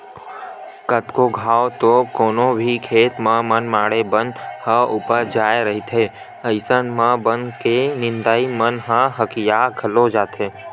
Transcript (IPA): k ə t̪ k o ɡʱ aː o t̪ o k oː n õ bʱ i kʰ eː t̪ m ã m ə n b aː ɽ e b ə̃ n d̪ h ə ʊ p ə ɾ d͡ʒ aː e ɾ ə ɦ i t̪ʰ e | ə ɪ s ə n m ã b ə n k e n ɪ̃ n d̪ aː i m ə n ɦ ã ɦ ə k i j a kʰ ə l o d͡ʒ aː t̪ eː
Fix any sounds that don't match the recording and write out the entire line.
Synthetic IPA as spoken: k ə t̪ k o ɡʱ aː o t̪ o k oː n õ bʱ i kʰ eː t̪ m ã m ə n m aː ɽ e b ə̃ n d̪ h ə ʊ p ə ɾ d͡ʒ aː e ɾ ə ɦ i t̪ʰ e | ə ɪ s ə n m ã b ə n k e n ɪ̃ n d̪ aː i m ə n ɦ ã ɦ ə k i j a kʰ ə l o d͡ʒ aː t̪ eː